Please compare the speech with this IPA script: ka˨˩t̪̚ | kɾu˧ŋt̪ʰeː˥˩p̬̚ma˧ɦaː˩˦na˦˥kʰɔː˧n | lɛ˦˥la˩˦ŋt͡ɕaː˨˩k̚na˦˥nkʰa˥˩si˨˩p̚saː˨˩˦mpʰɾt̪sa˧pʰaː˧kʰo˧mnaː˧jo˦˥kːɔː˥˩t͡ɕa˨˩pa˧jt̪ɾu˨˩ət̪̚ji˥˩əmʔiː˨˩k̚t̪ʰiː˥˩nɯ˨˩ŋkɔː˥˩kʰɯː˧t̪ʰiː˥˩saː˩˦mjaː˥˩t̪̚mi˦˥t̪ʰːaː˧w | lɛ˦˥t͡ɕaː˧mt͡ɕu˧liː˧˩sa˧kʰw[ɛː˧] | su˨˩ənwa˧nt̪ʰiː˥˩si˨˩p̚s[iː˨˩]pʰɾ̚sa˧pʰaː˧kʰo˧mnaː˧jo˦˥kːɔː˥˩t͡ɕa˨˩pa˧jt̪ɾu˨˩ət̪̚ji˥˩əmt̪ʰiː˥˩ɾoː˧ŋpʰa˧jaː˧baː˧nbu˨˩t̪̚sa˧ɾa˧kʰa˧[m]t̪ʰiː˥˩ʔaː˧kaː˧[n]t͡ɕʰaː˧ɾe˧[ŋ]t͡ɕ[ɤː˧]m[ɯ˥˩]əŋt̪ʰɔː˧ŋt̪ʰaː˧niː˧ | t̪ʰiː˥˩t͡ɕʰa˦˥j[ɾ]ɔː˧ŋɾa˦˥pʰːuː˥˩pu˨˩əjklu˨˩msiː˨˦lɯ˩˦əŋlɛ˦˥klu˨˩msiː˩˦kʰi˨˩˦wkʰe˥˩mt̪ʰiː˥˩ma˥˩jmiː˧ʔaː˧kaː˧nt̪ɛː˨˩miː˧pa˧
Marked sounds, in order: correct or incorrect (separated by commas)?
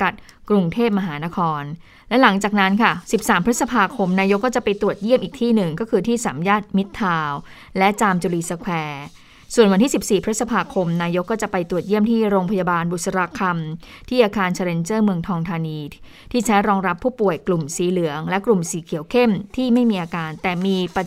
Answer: correct, correct, correct, correct, incorrect, incorrect, incorrect, correct